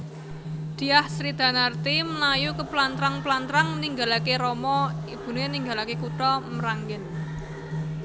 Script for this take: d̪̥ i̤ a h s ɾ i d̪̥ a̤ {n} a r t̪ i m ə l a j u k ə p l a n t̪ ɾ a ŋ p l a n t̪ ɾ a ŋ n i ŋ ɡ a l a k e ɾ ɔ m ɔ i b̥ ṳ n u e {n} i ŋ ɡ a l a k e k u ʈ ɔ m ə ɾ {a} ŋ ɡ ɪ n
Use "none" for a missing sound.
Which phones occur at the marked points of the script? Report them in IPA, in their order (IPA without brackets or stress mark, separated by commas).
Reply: n, n, a